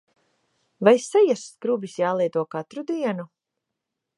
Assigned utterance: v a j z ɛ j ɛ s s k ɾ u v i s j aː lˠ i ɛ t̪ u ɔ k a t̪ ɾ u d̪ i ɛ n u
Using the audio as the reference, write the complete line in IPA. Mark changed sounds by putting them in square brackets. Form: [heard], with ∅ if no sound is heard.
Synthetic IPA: v a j [s] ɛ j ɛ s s k ɾ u [b] i s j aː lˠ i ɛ t̪ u ɔ k a t̪ ɾ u d̪ i ɛ n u